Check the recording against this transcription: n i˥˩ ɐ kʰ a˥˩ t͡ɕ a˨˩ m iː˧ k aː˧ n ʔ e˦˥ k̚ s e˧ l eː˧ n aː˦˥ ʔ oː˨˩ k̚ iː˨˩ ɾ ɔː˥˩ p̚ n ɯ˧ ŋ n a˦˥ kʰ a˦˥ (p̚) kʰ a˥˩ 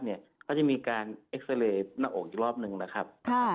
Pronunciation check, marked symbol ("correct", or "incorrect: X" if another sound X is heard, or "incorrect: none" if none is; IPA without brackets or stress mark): correct